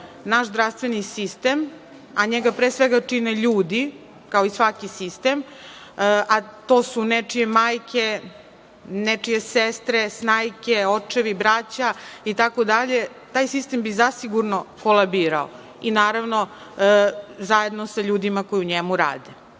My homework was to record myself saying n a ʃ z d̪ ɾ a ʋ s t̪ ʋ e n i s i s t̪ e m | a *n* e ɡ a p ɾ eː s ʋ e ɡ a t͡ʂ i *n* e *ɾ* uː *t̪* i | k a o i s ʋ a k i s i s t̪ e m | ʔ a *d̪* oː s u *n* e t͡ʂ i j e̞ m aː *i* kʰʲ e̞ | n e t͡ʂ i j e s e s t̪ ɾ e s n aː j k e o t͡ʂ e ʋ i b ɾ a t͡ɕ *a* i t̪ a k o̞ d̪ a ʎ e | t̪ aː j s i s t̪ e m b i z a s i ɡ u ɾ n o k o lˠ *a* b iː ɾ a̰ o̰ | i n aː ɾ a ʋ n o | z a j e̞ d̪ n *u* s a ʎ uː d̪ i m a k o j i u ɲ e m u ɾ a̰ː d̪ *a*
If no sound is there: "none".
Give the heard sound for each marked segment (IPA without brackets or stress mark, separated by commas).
ɲ, n, ʎ, d̪, t̪, n, j, a, a, o, e